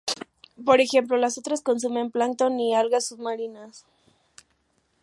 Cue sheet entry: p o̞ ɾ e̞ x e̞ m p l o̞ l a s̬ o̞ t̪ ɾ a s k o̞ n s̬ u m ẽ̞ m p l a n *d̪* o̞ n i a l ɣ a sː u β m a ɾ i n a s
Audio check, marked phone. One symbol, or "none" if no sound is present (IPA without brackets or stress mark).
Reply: t̪